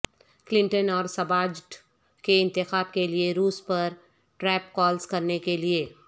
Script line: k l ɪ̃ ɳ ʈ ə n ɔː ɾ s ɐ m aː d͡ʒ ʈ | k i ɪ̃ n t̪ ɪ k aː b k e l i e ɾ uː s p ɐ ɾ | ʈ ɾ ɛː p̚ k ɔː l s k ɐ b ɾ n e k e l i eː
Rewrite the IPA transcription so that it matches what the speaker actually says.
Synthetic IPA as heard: k l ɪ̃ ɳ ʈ ə n ɔː ɾ s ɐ b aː d͡ʒ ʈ | k e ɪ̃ n t̪ ɪ x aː b k e l i e ɾ uː s p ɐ ɾ | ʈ ɾ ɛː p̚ k ɔː l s k ɐ ɾ n e k e l i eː